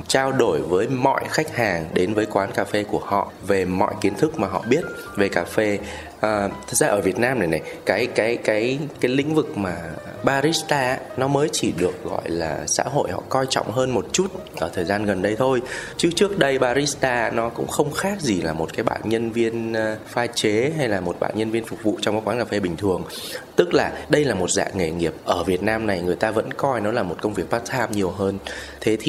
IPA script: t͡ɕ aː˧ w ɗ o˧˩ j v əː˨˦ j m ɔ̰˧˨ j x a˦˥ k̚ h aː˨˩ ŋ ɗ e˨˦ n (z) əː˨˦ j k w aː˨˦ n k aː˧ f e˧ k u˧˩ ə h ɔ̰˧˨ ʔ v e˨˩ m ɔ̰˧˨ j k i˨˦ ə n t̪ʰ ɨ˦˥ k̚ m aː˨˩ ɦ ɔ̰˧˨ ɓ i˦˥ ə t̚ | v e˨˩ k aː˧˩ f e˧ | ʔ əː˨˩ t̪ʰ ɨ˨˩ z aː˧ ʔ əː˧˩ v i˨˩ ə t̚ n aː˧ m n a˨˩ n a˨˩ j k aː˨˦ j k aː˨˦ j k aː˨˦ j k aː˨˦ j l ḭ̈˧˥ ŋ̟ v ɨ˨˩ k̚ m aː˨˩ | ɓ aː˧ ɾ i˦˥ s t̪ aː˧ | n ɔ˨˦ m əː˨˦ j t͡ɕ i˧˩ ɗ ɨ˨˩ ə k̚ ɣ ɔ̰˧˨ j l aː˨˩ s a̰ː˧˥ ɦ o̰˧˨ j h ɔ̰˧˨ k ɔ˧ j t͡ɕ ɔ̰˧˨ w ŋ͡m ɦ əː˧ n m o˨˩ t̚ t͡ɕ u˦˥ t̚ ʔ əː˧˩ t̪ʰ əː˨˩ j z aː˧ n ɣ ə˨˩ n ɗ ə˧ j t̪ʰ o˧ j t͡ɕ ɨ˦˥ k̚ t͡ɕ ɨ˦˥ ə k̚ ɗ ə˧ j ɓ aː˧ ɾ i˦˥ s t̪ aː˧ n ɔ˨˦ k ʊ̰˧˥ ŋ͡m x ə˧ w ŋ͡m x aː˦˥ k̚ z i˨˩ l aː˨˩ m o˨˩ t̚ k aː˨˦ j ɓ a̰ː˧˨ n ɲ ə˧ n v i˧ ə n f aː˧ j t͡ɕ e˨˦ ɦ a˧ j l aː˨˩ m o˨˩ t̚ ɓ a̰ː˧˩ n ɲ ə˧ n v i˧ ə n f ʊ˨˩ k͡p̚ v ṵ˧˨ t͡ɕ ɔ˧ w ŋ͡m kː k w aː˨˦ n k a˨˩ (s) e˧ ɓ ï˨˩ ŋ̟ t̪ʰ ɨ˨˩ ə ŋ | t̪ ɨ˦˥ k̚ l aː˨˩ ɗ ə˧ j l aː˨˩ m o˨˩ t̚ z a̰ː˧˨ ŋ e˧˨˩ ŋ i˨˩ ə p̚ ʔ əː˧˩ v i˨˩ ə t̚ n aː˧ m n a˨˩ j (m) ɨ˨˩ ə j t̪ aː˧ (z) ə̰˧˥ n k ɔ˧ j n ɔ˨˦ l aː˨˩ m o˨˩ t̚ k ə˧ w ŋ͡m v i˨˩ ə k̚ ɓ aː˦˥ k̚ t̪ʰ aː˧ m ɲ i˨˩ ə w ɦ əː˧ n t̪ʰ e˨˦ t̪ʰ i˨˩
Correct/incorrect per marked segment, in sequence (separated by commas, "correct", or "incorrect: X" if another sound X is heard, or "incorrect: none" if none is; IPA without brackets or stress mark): incorrect: v, incorrect: f, incorrect: ŋ, incorrect: v